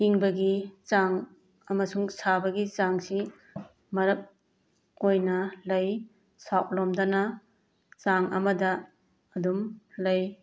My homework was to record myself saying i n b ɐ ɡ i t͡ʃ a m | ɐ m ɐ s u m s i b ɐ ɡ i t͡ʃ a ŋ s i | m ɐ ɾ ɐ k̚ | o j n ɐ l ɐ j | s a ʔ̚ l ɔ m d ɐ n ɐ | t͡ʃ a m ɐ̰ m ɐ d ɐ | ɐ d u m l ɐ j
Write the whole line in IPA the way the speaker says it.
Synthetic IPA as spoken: i ŋ b ɐ ɡ i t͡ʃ a ŋ | ɐ m ɐ s u ŋ s a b ɐ ɡ i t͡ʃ a ŋ s i | m ɐ ɾ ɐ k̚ | o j n ɐ l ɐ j | s a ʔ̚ l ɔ m d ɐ n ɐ | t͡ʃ a ŋ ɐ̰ m ɐ d ɐ | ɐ d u m l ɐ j